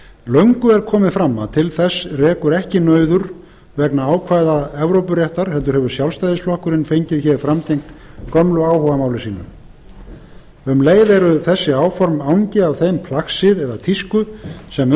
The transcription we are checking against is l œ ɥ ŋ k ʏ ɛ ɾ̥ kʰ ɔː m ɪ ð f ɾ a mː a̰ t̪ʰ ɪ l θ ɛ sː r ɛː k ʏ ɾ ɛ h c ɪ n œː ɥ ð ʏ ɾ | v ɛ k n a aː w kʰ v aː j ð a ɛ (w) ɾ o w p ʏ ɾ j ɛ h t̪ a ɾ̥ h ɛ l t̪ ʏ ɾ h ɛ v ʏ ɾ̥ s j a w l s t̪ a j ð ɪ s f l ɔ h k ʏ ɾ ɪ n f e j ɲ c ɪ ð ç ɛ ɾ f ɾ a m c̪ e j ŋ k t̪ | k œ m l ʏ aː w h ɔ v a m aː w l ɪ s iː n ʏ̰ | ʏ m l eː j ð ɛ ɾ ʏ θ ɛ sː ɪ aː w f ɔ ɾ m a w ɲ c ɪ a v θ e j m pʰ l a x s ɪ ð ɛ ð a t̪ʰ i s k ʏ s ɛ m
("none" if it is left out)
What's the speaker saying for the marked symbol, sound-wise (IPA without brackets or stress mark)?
v